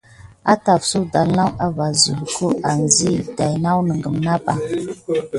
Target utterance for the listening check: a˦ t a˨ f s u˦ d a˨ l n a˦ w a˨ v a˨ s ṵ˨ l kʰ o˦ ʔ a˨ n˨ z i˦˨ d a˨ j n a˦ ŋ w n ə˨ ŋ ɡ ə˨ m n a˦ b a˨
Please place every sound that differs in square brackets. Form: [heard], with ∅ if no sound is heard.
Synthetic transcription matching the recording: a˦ t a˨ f s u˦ d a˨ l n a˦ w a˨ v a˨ [z] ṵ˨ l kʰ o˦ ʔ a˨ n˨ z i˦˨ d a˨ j n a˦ [∅] w n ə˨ ŋ ɡ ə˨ m n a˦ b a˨